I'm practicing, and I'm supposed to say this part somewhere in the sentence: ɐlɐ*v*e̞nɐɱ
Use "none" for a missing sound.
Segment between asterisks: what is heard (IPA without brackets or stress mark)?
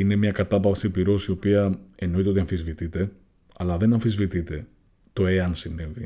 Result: ð